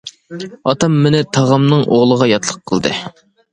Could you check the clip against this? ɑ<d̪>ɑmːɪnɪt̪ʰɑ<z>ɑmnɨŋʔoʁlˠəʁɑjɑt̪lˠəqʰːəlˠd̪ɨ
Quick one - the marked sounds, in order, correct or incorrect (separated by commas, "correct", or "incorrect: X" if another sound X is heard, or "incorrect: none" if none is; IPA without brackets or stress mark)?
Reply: incorrect: t̪, incorrect: ʁ